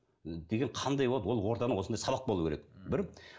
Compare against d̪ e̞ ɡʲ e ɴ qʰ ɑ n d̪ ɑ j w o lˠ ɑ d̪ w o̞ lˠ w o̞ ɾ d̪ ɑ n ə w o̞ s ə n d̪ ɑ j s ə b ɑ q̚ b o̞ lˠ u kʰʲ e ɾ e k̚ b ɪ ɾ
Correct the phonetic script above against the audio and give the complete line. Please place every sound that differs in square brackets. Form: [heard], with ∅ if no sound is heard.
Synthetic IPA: d̪ e̞ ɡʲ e ɴ qʰ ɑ n d̪ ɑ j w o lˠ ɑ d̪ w o̞ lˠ w o̞ ɾ [t̪] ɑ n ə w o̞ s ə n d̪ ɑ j s [ɑ] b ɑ q̚ b o̞ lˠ u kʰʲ e ɾ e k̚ b ɪ ɾ